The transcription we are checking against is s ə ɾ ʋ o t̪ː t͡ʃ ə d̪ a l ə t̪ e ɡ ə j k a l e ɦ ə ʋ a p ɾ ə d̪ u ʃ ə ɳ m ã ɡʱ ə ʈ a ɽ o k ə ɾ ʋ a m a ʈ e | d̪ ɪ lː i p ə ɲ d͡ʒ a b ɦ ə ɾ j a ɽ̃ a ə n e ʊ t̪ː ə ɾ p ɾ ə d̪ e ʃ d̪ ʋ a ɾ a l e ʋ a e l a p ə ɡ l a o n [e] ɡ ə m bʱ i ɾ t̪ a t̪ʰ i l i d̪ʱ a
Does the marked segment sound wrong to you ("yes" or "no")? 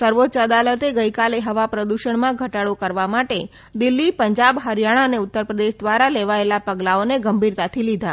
no